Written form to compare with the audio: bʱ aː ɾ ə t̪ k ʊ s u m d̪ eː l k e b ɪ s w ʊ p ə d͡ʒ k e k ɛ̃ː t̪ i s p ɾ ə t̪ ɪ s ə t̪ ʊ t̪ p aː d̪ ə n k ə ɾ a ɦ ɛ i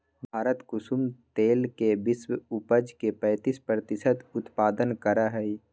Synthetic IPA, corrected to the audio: bʱ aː ɾ ə t̪ k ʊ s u m t̪ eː l k e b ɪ s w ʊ p ə d͡ʒ k e p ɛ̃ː t̪ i s p ɾ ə t̪ ɪ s ə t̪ ʊ t̪ p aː d̪ ə n k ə ɾ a ɦ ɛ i